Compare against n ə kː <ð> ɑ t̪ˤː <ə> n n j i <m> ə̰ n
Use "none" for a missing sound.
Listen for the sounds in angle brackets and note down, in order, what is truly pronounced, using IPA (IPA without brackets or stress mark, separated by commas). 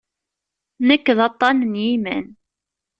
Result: ð, ɑ, m